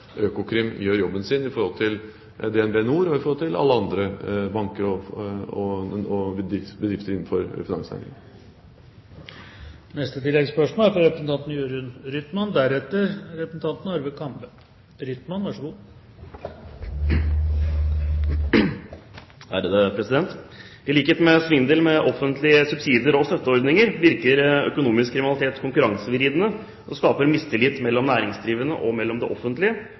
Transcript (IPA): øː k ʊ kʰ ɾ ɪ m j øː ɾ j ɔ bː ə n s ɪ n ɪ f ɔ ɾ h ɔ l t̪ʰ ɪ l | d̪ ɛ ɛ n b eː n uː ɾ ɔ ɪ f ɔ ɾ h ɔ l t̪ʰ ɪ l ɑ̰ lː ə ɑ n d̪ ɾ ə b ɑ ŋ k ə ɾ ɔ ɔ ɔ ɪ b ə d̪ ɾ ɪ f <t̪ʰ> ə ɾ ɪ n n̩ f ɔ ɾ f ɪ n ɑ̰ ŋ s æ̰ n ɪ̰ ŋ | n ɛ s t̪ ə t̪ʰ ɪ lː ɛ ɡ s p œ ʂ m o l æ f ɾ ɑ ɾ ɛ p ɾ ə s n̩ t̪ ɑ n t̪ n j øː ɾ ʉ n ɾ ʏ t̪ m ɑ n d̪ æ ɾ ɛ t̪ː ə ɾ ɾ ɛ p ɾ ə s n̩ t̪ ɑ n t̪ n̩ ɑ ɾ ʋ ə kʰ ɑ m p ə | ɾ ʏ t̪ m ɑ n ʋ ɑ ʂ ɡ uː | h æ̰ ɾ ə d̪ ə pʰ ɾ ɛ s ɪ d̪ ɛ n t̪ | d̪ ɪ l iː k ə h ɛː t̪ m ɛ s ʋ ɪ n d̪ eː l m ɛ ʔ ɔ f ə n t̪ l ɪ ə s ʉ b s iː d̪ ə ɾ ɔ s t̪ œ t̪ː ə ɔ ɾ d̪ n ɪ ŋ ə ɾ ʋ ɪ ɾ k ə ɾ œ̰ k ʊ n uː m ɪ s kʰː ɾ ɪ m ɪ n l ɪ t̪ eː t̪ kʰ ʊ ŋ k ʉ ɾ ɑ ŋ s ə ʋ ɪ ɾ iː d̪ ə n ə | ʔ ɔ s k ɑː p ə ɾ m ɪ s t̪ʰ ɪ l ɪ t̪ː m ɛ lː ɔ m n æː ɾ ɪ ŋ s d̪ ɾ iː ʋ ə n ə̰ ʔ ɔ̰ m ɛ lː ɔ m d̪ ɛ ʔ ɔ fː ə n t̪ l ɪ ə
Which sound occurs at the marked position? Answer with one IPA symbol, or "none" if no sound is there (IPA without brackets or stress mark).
t̪